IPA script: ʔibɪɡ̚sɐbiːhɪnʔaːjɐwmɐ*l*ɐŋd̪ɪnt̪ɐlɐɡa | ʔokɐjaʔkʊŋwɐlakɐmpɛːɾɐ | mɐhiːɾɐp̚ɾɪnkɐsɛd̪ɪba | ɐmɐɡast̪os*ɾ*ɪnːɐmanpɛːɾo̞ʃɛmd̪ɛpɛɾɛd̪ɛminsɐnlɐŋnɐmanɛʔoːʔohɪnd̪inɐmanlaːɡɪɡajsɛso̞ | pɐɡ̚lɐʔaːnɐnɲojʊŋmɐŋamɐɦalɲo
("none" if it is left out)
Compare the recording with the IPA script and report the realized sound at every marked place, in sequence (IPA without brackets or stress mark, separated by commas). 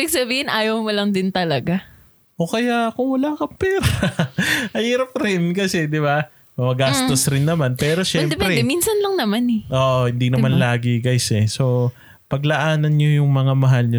l, ɾ